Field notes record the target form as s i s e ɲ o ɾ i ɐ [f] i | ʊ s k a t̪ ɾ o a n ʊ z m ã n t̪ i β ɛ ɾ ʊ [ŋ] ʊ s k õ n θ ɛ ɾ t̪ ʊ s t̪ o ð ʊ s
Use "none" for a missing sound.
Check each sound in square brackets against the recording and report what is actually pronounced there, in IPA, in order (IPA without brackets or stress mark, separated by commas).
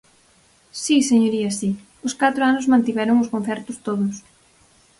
s, ŋ